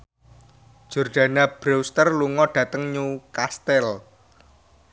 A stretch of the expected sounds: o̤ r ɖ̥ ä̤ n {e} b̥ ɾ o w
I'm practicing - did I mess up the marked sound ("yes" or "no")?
yes